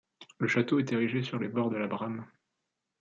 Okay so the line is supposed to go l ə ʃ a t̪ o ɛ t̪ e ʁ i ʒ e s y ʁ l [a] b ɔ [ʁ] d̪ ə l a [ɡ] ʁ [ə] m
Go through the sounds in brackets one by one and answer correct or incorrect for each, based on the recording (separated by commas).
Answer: incorrect, correct, incorrect, incorrect